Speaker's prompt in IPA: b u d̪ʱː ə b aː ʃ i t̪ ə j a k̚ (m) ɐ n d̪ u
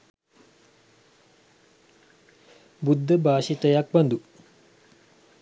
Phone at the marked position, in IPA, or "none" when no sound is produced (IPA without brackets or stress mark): b